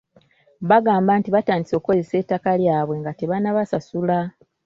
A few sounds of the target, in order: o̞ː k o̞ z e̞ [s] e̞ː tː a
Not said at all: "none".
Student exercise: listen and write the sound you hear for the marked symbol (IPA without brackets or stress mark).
s